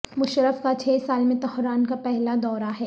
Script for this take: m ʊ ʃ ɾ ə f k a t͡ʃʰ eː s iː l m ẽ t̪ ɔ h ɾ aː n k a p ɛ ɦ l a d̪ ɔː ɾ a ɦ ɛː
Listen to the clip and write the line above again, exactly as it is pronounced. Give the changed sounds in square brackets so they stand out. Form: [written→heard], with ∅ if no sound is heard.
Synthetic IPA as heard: m ʊ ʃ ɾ ə f k a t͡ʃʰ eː s [iː→aː] l m ẽ t̪ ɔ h ɾ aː n k a p ɛ ɦ l a d̪ ɔː ɾ a ɦ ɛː